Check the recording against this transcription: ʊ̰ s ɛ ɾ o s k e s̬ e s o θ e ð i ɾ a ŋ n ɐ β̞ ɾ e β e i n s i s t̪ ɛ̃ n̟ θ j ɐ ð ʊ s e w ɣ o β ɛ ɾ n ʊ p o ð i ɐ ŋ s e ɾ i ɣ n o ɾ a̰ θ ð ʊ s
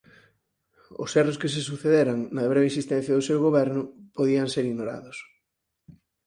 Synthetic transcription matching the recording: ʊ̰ s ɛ r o s k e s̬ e s u θ e ð e ɾ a ŋ n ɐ β̞ ɾ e β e i n s i s t̪ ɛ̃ n̟ θ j ɐ ð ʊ s e w ɣ o β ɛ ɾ n ʊ p o ð i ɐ ŋ s e ɾ i ɣ n o ɾ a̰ ð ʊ s